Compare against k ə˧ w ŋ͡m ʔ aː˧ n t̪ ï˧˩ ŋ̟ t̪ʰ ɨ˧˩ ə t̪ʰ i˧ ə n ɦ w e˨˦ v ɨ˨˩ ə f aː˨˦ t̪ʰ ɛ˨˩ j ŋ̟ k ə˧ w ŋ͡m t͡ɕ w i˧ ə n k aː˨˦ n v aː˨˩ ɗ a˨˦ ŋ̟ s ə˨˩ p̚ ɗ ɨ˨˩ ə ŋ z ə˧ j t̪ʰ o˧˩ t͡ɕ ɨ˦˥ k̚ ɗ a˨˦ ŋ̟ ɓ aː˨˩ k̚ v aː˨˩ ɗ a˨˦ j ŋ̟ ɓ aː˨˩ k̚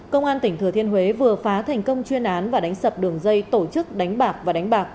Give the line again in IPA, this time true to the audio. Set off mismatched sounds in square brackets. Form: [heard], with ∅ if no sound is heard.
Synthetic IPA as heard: k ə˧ w ŋ͡m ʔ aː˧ n t̪ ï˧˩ ŋ̟ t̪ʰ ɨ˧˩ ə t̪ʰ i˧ ə n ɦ w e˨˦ v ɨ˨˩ ə f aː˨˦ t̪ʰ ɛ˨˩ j ŋ̟ k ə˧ w ŋ͡m t͡ɕ w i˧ ə n [ʔ] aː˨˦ n v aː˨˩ ɗ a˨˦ ŋ̟ s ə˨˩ p̚ ɗ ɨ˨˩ ə ŋ z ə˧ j [t̪] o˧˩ t͡ɕ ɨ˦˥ k̚ ɗ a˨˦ ŋ̟ ɓ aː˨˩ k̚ v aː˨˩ ɗ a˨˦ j ŋ̟ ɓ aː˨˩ k̚

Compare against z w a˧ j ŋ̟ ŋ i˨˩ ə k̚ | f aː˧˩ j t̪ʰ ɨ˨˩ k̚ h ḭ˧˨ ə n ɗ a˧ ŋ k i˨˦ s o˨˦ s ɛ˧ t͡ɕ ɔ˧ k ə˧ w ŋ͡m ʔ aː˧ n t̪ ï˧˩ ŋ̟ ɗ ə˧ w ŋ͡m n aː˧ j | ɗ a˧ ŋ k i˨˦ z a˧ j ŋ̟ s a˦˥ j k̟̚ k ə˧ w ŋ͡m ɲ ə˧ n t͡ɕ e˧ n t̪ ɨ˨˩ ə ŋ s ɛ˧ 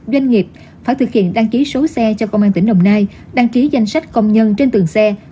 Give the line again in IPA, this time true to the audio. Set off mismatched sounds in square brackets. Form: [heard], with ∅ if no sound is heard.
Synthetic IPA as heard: z w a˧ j ŋ̟ ŋ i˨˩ ə [p̚] | f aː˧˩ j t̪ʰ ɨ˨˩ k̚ h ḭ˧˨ ə n ɗ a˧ ŋ k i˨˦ s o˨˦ s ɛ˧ t͡ɕ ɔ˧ k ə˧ w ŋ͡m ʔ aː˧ n t̪ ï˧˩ ŋ̟ ɗ ə˧ w ŋ͡m n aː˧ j | ɗ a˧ ŋ k i˨˦ z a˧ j ŋ̟ s a˦˥ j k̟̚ k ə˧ w ŋ͡m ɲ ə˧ n t͡ɕ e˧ n t̪ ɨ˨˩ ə ŋ s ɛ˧

